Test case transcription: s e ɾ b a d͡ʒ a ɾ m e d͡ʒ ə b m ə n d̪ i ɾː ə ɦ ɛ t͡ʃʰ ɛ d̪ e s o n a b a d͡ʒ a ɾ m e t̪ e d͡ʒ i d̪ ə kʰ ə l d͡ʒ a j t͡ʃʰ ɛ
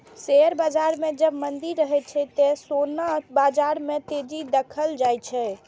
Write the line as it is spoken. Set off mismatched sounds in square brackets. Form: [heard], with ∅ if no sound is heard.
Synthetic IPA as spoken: s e ɾ b a d͡ʒ a ɾ m e d͡ʒ ə b m ə n d̪ i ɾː ə ɦ ɛ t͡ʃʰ ɛ [t̪] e s o n a b a d͡ʒ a ɾ m e t̪ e d͡ʒ i d̪ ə kʰ ə l d͡ʒ a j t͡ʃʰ ɛ